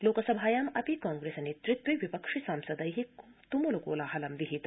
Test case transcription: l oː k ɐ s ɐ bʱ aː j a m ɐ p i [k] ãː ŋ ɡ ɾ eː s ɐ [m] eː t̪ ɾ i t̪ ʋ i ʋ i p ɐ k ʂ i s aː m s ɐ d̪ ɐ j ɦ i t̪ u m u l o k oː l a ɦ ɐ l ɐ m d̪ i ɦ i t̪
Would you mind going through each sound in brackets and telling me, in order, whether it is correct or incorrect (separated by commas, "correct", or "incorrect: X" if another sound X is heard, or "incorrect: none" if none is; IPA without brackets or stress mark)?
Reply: correct, incorrect: n